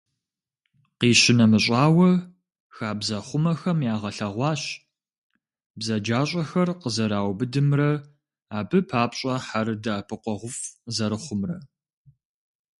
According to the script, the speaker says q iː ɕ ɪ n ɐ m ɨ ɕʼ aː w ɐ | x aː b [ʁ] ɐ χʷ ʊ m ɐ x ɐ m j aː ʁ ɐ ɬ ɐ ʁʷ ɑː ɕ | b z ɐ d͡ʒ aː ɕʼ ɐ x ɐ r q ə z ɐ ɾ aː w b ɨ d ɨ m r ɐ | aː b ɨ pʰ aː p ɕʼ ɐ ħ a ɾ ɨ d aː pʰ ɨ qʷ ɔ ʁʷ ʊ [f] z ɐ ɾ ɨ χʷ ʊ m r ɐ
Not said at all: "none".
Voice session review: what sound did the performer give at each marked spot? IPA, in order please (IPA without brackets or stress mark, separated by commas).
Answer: z, f